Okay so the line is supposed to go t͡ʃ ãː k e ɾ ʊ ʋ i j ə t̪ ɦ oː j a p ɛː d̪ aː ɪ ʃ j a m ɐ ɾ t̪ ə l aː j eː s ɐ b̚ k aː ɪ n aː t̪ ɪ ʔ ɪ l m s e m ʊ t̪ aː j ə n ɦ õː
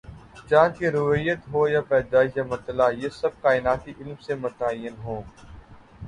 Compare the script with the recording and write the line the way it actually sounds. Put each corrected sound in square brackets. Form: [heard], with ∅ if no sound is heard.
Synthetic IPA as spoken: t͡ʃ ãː k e ɾ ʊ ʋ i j ə t̪ ɦ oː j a p ɛː d̪ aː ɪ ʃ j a m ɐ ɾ t̪ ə l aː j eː s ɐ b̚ k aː ɪ n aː t̪ [i] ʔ ɪ l m s e m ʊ t̪ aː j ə n ɦ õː